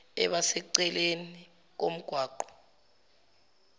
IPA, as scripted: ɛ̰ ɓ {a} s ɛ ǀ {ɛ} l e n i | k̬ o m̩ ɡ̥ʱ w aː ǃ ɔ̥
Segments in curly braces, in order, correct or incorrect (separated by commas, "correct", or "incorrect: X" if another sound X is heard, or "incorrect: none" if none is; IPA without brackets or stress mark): correct, correct